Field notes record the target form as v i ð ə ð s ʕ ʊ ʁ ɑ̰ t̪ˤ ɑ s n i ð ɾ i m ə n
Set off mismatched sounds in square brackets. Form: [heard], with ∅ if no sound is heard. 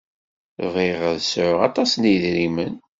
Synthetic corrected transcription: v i [ʁ] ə ð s ʕ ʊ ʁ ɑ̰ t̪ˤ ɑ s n i ð ɾ i m ə n